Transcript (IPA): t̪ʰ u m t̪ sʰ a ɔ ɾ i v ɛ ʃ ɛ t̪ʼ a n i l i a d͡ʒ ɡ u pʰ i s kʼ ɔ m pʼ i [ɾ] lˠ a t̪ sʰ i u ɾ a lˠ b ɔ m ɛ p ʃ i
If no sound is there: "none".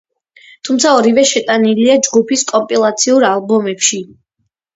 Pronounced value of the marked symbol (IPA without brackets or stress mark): none